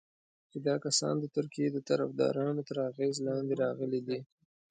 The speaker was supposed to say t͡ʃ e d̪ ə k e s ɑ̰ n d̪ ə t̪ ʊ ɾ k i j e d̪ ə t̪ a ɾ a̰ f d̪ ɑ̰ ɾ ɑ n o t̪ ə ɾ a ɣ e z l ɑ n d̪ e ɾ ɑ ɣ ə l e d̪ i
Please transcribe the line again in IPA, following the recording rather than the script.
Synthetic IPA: t͡ʃ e d̪ ɑ k a s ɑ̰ n d̪ ə t̪ ʊ ɾ k i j e d̪ ə t̪ a ɾ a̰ f d̪ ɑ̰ ɾ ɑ n o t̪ ə ɾ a ɣ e z l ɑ n d̪ e ɾ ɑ ɣ ə l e d̪ i